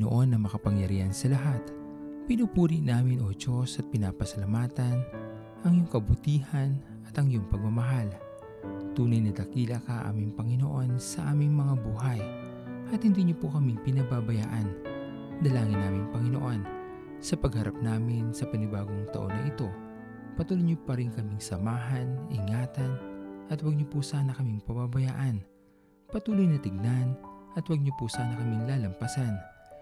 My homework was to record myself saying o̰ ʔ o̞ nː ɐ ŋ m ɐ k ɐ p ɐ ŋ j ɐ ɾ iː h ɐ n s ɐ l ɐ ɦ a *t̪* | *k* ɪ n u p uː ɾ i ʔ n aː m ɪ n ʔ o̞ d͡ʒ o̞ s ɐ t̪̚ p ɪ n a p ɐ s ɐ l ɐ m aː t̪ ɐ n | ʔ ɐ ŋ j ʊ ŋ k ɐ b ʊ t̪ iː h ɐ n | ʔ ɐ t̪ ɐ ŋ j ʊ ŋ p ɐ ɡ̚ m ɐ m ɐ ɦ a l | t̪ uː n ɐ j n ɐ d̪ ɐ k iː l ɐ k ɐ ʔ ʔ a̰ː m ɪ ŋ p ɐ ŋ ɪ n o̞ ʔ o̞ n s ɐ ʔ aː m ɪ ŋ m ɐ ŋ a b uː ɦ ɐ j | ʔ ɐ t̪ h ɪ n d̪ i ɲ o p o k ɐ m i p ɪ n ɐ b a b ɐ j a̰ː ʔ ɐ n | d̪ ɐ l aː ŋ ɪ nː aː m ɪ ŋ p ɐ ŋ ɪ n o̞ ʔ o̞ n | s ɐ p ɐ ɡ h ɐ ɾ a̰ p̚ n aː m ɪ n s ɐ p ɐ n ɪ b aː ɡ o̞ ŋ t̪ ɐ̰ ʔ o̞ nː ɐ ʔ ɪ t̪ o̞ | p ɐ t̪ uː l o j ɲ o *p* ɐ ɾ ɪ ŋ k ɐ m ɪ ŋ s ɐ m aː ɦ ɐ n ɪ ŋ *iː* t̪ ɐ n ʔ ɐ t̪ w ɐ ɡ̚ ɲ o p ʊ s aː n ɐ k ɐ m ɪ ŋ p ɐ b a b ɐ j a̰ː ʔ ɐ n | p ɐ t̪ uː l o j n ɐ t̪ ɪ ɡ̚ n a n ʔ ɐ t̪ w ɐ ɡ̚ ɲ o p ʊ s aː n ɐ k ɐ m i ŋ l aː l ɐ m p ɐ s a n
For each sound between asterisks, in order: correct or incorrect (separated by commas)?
correct, incorrect, correct, incorrect